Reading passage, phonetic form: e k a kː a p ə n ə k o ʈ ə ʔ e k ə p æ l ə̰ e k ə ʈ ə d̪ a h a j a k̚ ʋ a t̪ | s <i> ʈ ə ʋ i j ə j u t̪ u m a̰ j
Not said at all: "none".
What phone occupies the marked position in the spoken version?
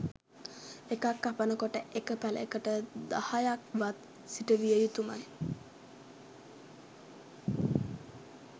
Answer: i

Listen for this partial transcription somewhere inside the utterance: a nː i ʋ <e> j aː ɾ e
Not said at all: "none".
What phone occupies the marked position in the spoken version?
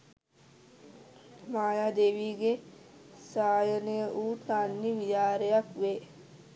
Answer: i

